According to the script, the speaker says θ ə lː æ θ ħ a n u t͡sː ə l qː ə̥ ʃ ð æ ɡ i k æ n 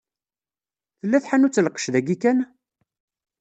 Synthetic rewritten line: θ ə lː æ θ ħ a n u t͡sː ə l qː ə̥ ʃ ð æ ɡ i k æ n